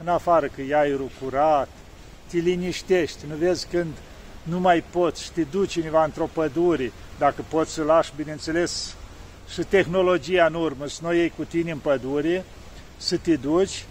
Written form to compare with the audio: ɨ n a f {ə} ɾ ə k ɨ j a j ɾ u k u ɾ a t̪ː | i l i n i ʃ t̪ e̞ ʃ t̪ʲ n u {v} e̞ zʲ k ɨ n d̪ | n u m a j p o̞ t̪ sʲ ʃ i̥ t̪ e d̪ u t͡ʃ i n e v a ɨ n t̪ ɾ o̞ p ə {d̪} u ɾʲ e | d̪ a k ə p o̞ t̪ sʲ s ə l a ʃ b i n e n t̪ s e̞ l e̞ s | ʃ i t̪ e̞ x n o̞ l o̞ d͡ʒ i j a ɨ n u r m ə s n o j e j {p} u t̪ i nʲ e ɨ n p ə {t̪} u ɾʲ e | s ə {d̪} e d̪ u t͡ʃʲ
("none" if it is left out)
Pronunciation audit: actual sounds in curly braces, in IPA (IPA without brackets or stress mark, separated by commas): a, v, d̪, k, d̪, t̪